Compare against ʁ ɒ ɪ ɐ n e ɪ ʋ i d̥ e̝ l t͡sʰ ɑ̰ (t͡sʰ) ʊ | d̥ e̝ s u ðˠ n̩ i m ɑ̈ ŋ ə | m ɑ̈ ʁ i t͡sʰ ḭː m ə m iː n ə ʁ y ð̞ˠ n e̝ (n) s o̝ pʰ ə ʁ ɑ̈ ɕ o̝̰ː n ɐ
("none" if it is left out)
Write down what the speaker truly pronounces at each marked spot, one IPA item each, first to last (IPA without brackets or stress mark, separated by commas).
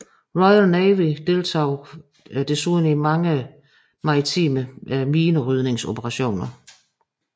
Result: none, ŋ